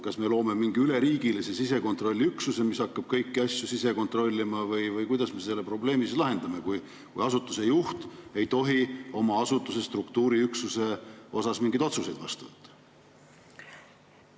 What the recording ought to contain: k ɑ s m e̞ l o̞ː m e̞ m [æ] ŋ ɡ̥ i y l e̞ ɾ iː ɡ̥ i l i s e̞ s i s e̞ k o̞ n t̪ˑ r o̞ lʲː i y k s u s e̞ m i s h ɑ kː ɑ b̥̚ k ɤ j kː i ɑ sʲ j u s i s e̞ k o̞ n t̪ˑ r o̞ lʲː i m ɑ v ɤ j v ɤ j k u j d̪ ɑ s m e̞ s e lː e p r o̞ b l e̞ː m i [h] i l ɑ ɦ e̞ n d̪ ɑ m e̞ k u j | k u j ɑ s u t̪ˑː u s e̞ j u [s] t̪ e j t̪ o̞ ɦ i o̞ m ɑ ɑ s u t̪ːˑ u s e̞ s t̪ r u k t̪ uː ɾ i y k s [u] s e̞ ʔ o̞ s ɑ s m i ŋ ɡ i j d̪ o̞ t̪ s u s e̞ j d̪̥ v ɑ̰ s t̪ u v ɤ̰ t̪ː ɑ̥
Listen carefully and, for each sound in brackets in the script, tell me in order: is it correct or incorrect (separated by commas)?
incorrect, incorrect, incorrect, correct